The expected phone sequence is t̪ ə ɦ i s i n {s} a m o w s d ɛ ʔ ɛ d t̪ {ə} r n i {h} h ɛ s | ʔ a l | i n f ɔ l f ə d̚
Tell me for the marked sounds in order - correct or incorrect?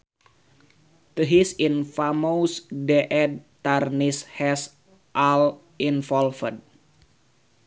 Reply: incorrect, incorrect, incorrect

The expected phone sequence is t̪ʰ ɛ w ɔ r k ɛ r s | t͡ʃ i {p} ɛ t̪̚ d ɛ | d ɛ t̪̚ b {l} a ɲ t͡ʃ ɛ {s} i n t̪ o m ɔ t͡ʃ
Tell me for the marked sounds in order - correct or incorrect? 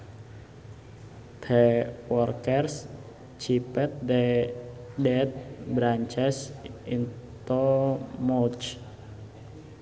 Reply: correct, incorrect, correct

